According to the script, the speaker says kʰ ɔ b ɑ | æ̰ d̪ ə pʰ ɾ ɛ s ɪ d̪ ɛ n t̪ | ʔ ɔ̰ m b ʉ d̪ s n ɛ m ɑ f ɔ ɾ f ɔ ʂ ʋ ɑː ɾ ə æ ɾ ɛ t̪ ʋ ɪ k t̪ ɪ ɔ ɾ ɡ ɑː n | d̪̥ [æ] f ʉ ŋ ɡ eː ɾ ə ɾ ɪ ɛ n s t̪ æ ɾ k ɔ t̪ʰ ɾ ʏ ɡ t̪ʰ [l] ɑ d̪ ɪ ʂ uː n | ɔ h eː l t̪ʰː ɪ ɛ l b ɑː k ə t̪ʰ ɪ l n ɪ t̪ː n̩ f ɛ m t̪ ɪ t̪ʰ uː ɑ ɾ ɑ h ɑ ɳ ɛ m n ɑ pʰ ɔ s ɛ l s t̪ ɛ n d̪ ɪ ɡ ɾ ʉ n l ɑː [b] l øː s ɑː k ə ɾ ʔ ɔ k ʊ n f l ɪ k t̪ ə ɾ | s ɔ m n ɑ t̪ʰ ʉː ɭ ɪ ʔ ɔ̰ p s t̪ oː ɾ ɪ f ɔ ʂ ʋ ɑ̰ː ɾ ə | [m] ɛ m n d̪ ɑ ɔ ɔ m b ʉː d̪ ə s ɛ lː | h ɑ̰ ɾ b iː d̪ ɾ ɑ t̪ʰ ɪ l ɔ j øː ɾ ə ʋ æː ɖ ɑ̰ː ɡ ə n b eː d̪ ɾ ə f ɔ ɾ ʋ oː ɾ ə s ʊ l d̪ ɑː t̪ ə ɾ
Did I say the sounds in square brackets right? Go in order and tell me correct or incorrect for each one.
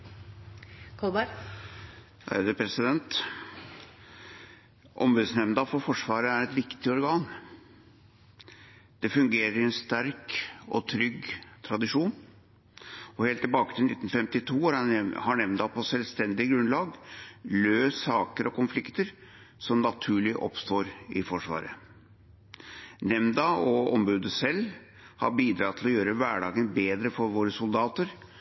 incorrect: ɛ, incorrect: ɾ, incorrect: ɡ, incorrect: n

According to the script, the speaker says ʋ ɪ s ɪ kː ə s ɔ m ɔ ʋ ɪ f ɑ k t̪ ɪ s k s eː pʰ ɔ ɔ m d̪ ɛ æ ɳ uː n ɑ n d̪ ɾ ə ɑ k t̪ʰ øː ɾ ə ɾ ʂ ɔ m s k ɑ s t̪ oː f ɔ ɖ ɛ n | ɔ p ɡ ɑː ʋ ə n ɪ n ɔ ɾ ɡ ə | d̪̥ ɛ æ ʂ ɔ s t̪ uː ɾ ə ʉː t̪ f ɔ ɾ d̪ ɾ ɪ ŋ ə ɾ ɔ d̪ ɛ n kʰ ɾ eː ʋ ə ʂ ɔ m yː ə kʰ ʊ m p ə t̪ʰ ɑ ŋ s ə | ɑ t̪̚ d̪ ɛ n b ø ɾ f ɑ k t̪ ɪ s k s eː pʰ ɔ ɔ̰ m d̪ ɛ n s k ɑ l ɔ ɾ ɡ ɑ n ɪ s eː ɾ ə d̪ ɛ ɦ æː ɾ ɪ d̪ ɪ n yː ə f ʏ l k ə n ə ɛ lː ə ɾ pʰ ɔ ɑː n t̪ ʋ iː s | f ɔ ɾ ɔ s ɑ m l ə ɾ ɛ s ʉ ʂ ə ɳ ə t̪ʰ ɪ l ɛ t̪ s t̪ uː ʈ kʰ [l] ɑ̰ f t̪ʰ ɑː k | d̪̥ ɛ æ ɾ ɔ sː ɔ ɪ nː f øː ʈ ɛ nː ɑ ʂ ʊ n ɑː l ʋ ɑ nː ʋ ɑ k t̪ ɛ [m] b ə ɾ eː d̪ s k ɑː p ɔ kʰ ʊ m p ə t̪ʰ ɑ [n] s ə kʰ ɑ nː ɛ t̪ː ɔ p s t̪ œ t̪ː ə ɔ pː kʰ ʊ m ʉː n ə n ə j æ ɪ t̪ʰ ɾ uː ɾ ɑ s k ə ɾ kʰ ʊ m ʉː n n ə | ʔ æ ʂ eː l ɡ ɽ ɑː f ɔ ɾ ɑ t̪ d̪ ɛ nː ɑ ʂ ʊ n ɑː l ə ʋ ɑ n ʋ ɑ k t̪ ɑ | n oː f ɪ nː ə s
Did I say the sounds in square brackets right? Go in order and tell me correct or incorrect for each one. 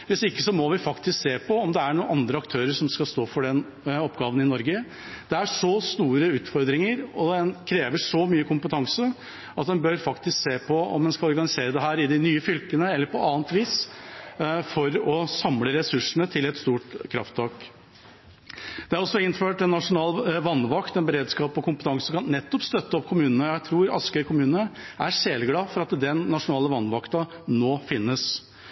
incorrect: ɾ, incorrect: n, incorrect: ŋ

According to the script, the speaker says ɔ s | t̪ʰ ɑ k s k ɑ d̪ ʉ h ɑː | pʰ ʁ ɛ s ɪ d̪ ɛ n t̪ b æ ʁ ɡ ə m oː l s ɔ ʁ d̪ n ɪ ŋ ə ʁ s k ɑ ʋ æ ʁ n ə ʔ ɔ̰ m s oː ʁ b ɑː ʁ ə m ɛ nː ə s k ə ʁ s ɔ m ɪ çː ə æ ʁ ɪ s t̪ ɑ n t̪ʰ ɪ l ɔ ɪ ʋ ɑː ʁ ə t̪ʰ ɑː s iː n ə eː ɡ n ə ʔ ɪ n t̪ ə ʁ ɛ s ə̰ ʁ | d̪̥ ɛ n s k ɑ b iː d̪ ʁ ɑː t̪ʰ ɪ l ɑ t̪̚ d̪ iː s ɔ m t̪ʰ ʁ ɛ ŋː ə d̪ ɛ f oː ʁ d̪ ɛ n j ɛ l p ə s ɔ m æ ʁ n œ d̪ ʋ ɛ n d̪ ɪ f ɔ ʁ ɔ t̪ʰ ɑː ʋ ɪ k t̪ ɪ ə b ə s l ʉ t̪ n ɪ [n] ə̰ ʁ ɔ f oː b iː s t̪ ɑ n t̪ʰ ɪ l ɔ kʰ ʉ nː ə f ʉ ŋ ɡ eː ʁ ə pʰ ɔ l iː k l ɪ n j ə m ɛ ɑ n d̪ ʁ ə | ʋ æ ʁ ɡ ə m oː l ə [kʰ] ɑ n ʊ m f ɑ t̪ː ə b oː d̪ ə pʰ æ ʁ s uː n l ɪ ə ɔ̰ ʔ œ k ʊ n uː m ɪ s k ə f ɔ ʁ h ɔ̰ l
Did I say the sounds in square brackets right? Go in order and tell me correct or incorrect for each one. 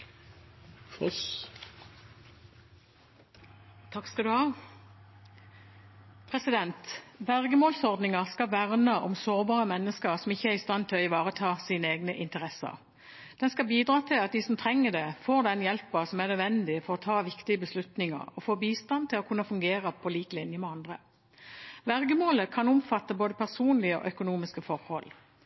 incorrect: ŋ, correct

